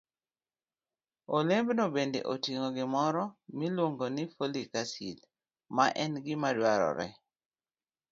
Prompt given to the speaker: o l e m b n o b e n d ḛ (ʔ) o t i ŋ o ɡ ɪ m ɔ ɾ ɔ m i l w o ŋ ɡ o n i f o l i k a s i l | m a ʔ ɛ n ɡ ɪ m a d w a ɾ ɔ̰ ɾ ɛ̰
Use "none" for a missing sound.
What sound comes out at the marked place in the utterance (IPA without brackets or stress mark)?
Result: ʔ